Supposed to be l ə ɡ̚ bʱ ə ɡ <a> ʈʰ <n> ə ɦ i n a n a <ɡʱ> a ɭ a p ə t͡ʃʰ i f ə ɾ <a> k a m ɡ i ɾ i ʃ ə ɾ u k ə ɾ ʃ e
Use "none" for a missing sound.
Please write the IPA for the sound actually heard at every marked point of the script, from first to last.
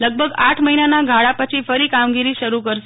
a, m, ɡʱ, i

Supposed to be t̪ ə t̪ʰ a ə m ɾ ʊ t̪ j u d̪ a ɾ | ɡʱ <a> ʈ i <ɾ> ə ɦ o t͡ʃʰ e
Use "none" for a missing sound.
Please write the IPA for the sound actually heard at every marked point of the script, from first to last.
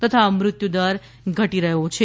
ə, ɾ

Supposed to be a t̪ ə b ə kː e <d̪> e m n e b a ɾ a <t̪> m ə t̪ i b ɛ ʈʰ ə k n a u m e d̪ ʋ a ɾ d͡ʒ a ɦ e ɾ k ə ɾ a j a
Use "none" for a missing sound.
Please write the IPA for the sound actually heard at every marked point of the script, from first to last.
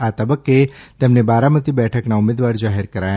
t̪, none

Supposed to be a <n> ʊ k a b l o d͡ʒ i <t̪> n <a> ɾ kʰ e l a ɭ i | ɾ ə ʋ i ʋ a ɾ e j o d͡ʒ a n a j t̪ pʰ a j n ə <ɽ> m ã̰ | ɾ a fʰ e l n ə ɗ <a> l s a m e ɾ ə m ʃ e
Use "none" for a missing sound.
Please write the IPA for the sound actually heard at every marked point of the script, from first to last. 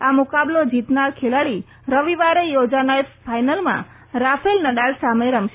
m, t̪, a, l, a

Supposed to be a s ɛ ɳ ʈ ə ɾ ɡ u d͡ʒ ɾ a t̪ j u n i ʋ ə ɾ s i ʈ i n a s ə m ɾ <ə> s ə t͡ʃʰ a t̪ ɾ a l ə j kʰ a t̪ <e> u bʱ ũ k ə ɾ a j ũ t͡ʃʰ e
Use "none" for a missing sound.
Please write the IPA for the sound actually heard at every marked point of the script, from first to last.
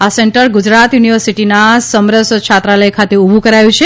ə, e

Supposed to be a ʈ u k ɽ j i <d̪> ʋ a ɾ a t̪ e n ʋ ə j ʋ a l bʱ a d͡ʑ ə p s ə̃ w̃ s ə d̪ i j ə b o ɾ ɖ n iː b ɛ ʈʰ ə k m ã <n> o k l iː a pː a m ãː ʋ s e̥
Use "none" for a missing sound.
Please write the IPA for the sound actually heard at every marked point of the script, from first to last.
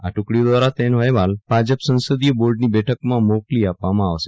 d̪, m

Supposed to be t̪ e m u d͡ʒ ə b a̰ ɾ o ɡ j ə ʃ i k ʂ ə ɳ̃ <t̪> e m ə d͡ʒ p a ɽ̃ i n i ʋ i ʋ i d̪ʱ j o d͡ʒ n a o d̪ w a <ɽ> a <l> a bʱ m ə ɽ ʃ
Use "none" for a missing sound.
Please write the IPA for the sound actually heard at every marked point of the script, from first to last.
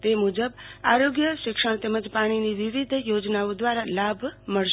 t̪, ɾ, l

